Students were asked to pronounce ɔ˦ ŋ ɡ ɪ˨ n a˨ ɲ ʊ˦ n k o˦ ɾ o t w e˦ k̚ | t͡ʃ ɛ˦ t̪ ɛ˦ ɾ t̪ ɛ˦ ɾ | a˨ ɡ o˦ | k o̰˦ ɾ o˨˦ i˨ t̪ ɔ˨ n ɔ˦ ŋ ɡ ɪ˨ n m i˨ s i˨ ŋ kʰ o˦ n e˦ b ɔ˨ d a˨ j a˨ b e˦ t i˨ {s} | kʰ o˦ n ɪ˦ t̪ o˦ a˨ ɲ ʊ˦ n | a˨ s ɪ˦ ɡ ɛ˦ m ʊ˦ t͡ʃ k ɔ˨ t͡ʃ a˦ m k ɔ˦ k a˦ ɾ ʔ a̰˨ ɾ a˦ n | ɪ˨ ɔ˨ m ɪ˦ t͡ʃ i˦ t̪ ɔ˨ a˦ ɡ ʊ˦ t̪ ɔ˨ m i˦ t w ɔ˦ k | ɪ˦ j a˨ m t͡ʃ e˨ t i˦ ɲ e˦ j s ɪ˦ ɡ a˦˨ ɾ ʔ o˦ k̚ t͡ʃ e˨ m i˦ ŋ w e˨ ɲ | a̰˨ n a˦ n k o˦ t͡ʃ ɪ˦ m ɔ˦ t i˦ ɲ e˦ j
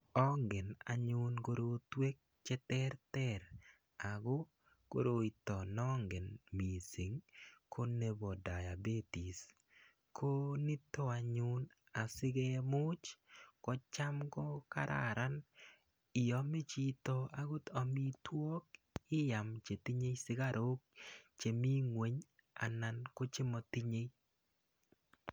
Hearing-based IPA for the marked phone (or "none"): s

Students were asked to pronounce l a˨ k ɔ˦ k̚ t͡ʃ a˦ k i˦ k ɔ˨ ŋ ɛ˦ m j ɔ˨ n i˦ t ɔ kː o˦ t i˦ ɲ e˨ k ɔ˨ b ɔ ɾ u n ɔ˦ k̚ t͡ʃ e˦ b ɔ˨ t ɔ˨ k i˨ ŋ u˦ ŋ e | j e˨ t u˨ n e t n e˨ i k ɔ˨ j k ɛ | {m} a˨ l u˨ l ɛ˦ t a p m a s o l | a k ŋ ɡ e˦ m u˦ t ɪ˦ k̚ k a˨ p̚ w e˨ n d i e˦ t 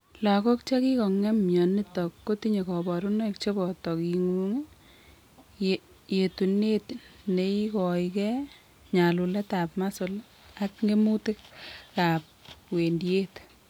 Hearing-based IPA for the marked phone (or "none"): ɲ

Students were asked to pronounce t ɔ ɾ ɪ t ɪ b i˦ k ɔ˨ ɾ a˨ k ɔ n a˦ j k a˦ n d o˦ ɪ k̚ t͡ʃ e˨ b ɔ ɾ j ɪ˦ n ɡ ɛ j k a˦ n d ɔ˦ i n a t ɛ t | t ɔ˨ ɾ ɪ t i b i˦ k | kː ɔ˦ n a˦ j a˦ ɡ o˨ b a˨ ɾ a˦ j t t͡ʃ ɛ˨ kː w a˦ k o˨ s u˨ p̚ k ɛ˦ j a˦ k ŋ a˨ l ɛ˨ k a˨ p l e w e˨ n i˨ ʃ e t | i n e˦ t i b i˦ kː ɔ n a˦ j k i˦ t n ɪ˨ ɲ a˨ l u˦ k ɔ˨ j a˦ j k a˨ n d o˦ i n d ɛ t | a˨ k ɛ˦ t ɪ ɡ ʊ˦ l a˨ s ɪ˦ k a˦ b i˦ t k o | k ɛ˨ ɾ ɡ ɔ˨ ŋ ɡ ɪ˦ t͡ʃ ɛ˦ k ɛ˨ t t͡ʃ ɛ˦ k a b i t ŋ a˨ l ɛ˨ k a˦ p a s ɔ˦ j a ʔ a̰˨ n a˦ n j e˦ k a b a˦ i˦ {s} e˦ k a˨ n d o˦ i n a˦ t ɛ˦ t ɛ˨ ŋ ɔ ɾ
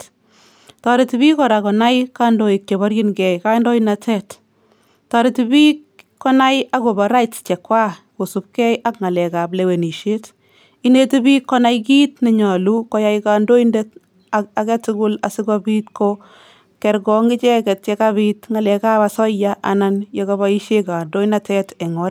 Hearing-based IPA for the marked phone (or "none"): ʃ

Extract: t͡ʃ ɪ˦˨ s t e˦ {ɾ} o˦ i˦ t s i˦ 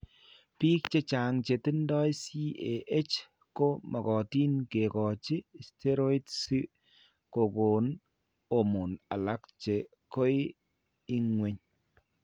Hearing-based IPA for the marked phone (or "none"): ɾ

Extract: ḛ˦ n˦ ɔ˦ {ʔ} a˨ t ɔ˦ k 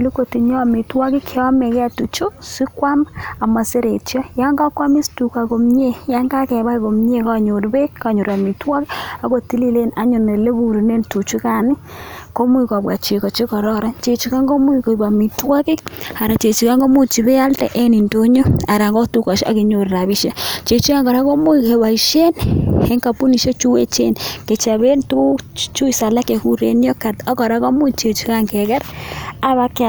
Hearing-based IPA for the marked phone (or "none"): k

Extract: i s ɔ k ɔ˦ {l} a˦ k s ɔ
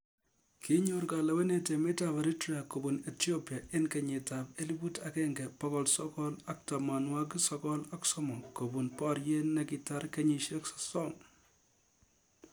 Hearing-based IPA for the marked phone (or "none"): l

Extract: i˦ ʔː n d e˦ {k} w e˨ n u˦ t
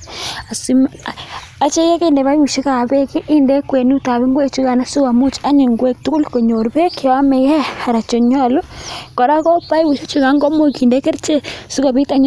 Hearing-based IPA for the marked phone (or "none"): k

